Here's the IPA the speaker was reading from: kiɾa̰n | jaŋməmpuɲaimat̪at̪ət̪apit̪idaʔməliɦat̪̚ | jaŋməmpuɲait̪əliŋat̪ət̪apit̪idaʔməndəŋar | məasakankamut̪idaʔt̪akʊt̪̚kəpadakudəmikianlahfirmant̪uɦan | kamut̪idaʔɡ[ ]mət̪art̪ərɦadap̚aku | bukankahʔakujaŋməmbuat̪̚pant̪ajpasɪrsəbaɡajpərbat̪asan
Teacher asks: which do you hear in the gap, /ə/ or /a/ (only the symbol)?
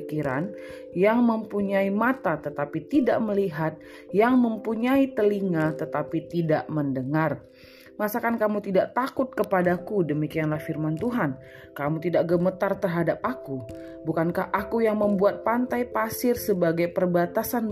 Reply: ə